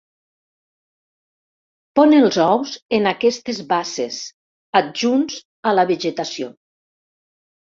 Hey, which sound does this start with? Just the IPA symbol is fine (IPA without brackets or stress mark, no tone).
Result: p